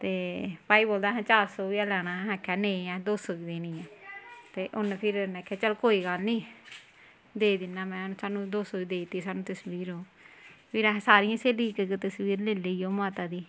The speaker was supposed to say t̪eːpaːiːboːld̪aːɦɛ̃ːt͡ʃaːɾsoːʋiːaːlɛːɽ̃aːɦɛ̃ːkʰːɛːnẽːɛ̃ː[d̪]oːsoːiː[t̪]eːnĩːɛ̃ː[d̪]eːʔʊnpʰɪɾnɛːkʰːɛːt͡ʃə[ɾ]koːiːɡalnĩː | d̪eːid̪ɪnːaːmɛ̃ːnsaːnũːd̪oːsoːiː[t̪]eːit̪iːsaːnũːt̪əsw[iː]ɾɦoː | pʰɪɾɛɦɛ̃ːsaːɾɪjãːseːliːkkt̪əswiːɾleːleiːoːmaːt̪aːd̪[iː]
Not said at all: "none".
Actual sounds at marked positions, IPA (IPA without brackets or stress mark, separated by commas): d̪, d̪, t̪, l, d̪, iː, iː